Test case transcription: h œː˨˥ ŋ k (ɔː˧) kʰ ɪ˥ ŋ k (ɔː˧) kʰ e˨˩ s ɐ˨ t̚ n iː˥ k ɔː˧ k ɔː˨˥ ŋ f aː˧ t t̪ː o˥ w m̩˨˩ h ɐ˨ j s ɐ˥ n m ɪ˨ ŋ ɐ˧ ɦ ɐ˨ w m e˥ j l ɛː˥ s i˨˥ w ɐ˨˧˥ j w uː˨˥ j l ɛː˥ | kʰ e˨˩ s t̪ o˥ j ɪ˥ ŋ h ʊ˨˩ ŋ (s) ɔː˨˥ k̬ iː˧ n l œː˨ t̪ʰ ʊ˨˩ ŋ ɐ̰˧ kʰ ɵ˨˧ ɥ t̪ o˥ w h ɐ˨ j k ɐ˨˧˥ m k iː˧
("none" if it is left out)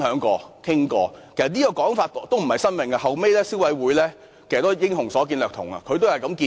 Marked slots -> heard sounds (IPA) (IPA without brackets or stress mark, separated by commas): ɔː˧, ɔː˧, s